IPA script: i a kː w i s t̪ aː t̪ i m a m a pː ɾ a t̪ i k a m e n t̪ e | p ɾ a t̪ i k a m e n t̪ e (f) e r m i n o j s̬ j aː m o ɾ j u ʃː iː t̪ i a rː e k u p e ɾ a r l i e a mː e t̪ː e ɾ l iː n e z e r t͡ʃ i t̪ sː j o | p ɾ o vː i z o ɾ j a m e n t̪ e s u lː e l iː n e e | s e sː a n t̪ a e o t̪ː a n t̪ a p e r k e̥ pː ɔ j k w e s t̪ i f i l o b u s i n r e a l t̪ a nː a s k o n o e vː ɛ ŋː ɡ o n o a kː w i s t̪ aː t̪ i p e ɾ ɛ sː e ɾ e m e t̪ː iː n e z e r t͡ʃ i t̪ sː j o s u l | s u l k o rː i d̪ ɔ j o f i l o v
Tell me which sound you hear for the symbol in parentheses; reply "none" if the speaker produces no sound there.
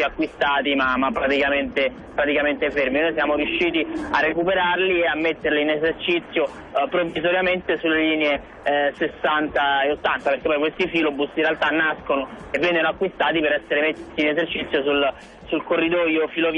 f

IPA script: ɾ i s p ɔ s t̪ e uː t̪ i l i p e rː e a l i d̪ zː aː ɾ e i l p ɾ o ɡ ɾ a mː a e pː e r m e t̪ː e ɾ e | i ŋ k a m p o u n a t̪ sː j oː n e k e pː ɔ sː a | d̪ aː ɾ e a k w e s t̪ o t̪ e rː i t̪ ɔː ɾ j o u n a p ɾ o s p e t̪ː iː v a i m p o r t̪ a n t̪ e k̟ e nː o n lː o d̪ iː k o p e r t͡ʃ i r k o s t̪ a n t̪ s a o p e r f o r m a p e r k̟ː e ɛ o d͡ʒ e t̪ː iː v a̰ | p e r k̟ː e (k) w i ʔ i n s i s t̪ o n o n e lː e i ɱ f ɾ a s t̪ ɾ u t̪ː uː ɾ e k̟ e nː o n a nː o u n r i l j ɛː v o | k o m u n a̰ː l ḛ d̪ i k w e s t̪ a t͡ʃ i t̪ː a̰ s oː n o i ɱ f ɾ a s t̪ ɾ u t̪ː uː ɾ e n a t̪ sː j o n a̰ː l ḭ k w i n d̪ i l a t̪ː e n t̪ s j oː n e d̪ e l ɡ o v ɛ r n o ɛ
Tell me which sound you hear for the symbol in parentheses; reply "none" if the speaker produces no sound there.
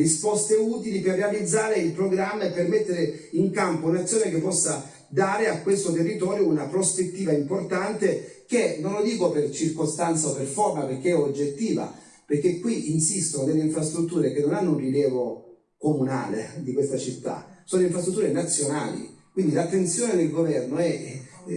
k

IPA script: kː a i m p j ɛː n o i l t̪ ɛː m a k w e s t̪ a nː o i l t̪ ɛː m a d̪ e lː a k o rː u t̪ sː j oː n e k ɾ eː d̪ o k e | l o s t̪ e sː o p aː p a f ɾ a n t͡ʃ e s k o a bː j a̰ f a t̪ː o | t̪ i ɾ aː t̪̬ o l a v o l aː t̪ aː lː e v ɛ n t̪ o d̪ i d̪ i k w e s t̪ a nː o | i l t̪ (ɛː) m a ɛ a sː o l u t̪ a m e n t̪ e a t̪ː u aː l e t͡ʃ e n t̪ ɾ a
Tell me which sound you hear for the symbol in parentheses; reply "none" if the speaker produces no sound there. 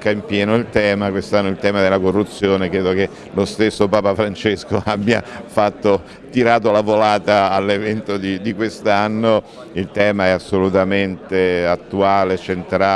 ɛː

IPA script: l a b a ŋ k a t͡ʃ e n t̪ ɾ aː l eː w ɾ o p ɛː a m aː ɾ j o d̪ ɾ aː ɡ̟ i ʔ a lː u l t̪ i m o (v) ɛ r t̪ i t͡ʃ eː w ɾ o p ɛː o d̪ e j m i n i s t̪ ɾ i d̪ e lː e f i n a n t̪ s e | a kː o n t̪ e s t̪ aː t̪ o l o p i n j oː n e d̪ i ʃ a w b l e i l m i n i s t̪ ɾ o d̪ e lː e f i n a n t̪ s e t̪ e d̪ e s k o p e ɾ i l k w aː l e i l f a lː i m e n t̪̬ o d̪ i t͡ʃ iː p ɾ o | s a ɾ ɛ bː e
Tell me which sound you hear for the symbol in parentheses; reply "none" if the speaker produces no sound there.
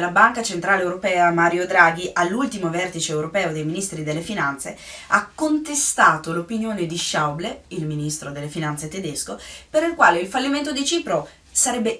v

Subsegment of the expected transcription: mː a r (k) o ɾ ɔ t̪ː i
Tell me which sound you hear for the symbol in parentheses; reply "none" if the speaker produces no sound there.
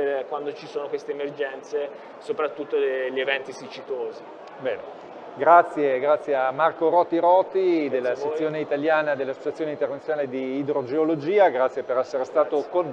k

